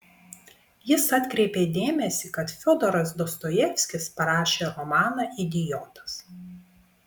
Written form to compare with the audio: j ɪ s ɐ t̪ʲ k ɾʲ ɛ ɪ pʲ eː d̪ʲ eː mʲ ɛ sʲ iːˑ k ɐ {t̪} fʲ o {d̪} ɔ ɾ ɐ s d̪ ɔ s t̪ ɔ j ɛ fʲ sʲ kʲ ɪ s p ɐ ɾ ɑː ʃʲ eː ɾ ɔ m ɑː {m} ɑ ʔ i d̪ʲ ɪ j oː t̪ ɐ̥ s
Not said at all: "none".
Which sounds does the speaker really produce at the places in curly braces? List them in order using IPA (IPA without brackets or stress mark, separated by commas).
t̪, d̪, n